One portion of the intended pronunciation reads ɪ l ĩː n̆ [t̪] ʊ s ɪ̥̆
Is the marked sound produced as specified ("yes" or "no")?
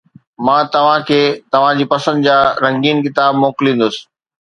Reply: no